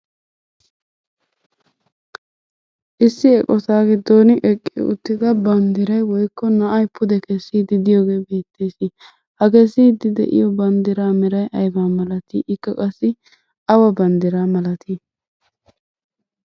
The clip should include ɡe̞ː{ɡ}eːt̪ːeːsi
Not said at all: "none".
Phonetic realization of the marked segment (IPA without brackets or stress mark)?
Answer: b